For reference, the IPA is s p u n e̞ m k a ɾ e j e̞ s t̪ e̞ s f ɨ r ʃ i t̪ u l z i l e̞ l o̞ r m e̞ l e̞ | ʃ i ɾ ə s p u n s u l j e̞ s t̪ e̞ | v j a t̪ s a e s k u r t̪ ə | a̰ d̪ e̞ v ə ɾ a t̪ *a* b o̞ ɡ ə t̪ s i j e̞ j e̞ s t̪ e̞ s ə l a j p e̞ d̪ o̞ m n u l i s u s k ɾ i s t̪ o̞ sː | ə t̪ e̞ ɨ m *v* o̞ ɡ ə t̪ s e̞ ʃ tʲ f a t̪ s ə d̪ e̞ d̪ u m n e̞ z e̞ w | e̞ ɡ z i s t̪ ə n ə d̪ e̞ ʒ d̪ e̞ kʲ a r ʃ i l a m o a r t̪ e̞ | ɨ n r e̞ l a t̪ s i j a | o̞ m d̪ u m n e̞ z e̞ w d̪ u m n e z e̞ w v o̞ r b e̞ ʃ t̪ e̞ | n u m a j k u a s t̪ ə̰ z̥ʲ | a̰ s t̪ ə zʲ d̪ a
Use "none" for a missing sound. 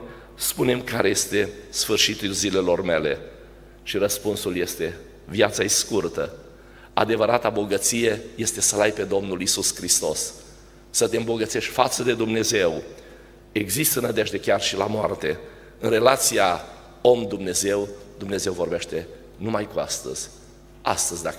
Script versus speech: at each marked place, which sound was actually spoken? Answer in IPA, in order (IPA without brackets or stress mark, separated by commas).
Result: a, b